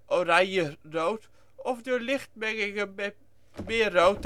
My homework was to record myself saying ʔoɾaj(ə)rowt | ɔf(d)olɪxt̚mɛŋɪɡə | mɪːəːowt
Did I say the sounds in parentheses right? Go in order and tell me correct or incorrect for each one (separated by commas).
correct, correct